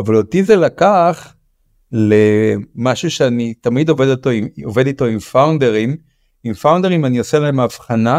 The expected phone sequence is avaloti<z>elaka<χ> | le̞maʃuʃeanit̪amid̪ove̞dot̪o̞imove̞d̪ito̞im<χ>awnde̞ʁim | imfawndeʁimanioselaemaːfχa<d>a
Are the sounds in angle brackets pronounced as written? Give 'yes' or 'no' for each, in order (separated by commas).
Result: yes, yes, no, no